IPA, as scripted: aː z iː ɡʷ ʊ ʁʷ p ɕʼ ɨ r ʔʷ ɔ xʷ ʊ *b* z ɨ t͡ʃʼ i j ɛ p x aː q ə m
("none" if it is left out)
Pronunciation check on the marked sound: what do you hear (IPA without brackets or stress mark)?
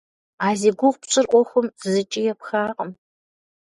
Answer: m